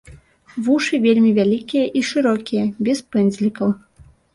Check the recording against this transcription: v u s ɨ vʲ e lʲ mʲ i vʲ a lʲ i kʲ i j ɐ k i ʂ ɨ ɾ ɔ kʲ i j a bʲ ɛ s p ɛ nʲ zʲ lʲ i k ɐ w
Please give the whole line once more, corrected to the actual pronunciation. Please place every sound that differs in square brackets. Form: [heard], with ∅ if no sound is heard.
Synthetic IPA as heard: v u [ʂ] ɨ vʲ e lʲ mʲ i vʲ a lʲ i kʲ i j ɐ [ʔ] i ʂ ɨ ɾ ɔ kʲ i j [ɐ] bʲ ɛ s p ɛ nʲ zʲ lʲ i k ɐ w